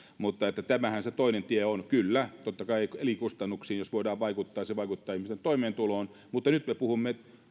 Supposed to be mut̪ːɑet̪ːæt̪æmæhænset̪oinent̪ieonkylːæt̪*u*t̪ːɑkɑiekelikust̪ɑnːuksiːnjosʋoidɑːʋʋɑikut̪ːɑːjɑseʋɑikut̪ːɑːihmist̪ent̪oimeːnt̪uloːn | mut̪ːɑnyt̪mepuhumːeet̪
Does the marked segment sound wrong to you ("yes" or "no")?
yes